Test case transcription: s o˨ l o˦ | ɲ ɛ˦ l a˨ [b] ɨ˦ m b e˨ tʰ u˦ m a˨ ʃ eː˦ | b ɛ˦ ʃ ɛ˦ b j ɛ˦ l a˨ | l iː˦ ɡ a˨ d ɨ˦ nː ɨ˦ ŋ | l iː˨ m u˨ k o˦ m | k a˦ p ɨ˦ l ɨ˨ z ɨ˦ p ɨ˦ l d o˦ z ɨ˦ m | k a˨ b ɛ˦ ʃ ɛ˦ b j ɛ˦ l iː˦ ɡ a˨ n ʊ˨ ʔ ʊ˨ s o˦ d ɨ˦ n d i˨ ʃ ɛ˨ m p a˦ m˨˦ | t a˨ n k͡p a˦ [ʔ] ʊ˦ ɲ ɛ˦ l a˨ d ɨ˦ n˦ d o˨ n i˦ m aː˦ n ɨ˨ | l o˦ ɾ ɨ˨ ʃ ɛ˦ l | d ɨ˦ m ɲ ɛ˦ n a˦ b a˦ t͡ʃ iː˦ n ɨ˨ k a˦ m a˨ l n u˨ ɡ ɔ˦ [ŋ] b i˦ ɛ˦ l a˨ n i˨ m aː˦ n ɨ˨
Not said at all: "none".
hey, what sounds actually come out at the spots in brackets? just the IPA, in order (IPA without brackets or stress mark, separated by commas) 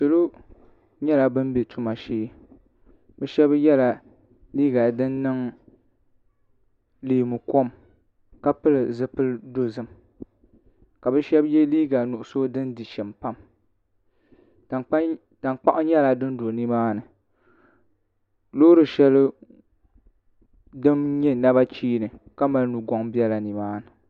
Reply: b, ʔ, ŋ